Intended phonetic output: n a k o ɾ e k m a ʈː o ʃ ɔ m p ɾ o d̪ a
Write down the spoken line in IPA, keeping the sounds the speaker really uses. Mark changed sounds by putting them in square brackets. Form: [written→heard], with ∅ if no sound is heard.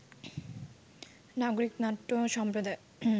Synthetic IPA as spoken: n a [k→ɡ] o ɾ [e→i] k [m→n] a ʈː o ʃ ɔ m p ɾ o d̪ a